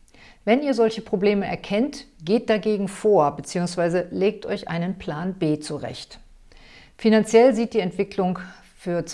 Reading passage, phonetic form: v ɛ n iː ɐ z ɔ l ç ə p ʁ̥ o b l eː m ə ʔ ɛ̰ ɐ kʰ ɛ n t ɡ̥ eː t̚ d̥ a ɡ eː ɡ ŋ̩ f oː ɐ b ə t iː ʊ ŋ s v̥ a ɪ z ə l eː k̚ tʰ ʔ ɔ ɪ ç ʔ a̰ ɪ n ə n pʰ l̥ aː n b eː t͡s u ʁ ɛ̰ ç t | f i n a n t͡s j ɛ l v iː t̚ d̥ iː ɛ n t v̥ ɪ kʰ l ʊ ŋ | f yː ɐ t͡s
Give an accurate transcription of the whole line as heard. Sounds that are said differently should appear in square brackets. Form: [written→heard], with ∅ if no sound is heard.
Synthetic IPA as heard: v ɛ n iː ɐ z ɔ l ç ə p ʁ̥ o b l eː m ə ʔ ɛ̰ ɐ kʰ ɛ n t ɡ̥ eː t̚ d̥ a ɡ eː ɡ ŋ̩ f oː ɐ b ə [t→t͡s] iː ʊ ŋ s v̥ a ɪ z ə l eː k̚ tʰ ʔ ɔ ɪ ç ʔ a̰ ɪ n ə n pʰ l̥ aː n b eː t͡s u ʁ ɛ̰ ç t | f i n a n t͡s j ɛ l [v→z] iː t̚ d̥ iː ɛ n t v̥ ɪ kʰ l ʊ ŋ | f yː ɐ t͡s